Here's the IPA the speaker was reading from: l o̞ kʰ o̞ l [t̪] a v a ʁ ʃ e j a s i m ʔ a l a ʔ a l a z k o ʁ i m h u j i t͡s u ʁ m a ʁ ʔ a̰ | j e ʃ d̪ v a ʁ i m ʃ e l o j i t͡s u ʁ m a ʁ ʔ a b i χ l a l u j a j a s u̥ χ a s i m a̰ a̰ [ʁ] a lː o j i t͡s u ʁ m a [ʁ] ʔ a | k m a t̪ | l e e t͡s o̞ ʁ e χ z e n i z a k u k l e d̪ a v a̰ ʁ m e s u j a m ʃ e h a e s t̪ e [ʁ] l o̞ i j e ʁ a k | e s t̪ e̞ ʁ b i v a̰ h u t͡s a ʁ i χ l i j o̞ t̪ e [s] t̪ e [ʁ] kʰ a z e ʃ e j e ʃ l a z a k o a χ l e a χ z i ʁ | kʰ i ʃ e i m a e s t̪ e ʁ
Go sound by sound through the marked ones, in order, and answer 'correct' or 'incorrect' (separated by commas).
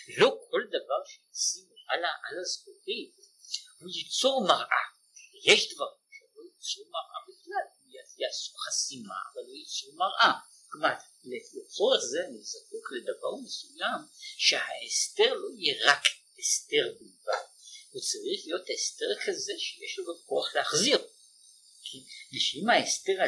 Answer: incorrect, incorrect, correct, correct, correct, correct